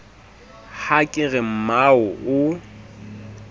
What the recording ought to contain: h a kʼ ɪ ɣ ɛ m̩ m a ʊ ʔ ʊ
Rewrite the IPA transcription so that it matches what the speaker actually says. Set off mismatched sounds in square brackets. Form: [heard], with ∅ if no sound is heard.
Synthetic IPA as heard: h a kʼ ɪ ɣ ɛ m̩ m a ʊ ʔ ʊ